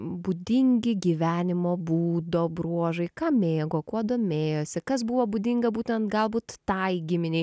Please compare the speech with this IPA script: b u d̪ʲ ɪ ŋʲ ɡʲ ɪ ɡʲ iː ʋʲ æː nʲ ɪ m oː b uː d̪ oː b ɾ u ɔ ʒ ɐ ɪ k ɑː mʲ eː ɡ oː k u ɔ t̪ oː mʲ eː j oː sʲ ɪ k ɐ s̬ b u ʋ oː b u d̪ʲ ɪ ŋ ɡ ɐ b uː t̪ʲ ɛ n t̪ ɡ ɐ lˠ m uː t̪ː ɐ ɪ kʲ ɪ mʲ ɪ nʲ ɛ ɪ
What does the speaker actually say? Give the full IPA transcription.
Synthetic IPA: b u d̪ʲ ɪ ŋʲ ɡʲ ɪ ɡʲ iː ʋʲ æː nʲ ɪ m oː b uː d̪ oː b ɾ u ɔ ʒ ɐ ɪ k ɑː mʲ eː ɡ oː k u ɔ d̪ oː mʲ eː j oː sʲ ɪ k ɐ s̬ b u ʋ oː b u d̪ʲ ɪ ŋ ɡ ɐ b uː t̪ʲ ɛ n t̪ ɡ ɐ lˠ b uː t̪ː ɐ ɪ ɡʲ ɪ mʲ ɪ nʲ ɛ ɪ